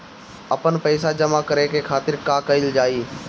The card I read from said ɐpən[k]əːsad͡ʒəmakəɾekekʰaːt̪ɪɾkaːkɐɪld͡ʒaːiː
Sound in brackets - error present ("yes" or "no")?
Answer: yes